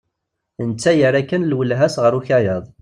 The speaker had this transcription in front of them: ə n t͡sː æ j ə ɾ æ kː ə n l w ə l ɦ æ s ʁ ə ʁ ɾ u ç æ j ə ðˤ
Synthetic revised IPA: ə n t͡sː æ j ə ɾ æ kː ə n l w ə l ɦ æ s ʁ ə ɾ u ç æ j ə ðˤ